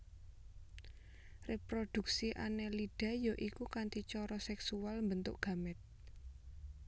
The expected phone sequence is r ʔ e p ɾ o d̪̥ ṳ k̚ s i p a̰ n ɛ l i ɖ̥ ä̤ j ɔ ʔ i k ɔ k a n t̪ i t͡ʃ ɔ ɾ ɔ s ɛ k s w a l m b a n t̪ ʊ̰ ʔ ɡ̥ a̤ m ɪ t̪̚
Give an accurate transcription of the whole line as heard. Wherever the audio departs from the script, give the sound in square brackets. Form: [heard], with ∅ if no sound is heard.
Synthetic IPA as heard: r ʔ e p ɾ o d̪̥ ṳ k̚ s i [ʔ] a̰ n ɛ l i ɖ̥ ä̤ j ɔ ʔ i k [u] k a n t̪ i t͡ʃ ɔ ɾ ɔ s ɛ k s [u] a l m b [ə] n t̪ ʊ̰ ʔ ɡ̥ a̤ m ɪ t̪̚

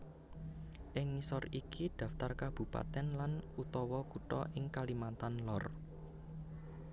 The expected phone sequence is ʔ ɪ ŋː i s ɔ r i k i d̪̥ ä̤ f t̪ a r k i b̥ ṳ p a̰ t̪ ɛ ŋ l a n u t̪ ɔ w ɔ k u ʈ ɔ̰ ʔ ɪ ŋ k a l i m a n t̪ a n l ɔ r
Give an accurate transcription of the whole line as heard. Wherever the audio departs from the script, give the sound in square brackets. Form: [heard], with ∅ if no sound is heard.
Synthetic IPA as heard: ʔ ɪ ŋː i s ɔ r i k i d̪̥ ä̤ f t̪ a r k [a] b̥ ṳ p a̰ t̪ ɛ [n] l a n u t̪ ɔ w ɔ k u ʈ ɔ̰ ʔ ɪ ŋ k a l i m a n t̪ a n l ɔ r

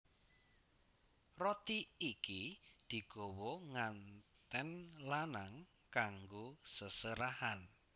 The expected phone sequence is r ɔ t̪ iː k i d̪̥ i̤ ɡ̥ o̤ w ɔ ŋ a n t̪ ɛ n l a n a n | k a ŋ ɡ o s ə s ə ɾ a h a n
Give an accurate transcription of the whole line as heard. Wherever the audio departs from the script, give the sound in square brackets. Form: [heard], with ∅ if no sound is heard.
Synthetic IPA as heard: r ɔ t̪ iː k i d̪̥ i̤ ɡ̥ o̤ w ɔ ŋ a n t̪ ɛ n l a n a [ŋ] | k a ŋ ɡ o s ə s ə ɾ a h a n

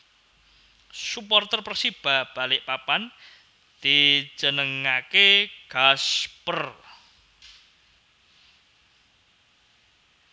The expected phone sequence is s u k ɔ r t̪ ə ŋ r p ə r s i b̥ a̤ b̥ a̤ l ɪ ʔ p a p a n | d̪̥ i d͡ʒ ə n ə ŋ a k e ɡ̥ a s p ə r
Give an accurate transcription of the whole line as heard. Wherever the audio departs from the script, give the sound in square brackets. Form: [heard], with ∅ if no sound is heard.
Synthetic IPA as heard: s u [p] ɔ r t̪ ə [∅] r p ə r s i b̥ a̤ b̥ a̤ l ɪ ʔ p a p a n | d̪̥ i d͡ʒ ə n ə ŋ a k e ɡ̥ a s p ə r

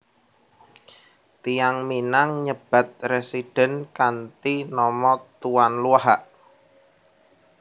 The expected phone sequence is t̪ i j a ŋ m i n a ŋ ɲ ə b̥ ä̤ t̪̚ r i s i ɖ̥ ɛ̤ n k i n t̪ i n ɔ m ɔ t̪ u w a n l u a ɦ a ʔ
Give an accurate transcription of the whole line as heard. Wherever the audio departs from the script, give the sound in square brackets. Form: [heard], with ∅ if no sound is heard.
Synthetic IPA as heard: t̪ i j a ŋ m i n a ŋ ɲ ə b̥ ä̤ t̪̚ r [e] s i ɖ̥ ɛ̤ n k [a] n t̪ i n ɔ m ɔ t̪ u w a n l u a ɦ a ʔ

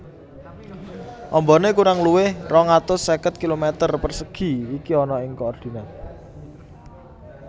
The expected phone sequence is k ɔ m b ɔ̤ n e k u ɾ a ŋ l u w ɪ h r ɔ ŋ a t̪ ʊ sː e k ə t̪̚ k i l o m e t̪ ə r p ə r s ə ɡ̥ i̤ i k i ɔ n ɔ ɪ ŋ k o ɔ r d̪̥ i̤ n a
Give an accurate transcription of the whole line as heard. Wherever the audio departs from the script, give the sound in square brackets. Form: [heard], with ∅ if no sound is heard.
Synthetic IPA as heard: [ʔ] ɔ m b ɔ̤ n e k u ɾ a ŋ l u w ɪ h r ɔ ŋ a t̪ ʊ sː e k ə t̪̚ k i l o m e t̪ ə r p ə r s ə ɡ̥ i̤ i k i ɔ n ɔ ɪ ŋ k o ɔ r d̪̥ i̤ n a

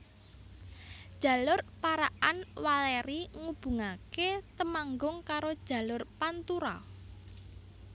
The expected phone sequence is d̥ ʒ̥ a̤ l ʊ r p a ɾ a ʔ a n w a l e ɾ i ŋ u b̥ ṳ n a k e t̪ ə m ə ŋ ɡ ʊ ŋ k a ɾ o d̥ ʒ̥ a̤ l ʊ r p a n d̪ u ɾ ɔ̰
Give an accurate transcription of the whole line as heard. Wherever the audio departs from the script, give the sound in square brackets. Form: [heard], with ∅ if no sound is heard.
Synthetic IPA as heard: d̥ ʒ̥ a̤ l ʊ r p a ɾ a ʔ a n w a l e ɾ i ŋ u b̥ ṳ [ŋ] a k e t̪ ə m [a] ŋ ɡ ʊ ŋ k a ɾ o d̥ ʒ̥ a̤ l ʊ r p a n [t̪] u ɾ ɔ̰

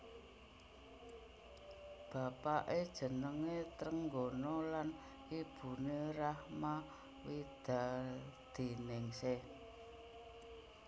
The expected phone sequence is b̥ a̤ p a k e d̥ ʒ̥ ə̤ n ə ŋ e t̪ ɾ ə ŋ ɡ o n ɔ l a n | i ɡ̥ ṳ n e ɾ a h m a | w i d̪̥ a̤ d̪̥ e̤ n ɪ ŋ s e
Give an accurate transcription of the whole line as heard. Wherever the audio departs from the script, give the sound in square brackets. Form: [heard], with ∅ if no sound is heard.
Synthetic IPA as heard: b̥ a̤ p a [ʔ] e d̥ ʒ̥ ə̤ n ə ŋ e t̪ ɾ ə ŋ ɡ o n ɔ l a n | i [b̥] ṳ n e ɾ a h m a | w i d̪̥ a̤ d̪̥ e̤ n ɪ ŋ s e

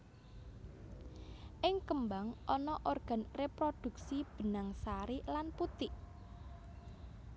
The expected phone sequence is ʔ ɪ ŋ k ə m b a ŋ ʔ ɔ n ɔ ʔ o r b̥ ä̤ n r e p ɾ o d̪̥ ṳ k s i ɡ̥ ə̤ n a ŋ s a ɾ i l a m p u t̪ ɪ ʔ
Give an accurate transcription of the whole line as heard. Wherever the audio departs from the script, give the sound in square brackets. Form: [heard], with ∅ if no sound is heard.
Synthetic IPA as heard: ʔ ɪ ŋ k ə m b a ŋ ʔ ɔ n ɔ ʔ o r [ɡ̥] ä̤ n r e p ɾ o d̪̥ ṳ k s i [b̥] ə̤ n a ŋ s a ɾ i l a [n] p u t̪ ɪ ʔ

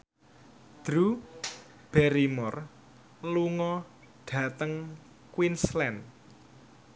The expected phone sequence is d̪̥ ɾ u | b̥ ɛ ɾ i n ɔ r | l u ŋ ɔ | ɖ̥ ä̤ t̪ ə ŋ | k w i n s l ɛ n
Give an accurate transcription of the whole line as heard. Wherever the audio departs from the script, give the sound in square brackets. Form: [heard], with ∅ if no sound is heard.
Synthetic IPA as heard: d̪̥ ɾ u | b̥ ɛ ɾ i [m] ɔ r | l u ŋ ɔ | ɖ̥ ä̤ t̪ ə ŋ | k w i n s l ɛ n

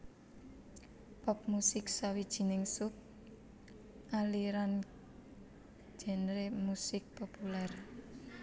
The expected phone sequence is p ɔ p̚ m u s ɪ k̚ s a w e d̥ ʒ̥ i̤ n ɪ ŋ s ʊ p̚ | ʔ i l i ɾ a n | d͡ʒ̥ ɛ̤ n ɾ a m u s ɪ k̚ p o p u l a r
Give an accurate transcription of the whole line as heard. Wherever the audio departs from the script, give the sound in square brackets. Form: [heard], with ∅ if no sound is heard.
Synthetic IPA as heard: p ɔ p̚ m u s ɪ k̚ s a w [i] d̥ ʒ̥ i̤ n ɪ ŋ s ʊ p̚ | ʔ [a] l i ɾ a n | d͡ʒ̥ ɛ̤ n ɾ [e] m u s ɪ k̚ p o p u l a r

